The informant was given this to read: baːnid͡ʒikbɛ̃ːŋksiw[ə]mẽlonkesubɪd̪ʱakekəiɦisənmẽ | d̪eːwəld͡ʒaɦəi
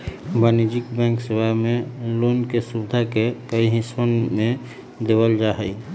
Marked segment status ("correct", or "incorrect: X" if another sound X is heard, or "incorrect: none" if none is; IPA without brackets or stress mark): incorrect: a